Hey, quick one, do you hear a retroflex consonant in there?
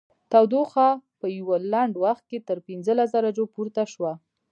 yes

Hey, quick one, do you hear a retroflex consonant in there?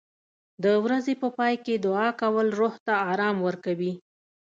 no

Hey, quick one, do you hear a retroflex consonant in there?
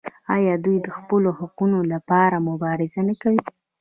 no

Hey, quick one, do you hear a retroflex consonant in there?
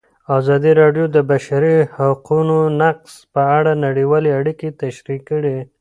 yes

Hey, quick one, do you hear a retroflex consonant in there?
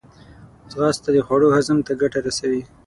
yes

